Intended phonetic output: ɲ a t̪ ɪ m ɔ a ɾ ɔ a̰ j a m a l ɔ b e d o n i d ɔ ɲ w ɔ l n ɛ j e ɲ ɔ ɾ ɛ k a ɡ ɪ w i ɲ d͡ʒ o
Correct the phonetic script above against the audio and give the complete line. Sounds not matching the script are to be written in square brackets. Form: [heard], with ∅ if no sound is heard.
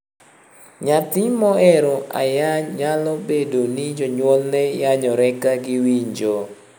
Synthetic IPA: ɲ a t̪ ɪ m ɔ [ɛ] ɾ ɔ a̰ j a [ɲ] a l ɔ b e d o n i [d͡ʒ] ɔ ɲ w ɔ l n ɛ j [a] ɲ ɔ ɾ ɛ k a ɡ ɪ w i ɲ d͡ʒ o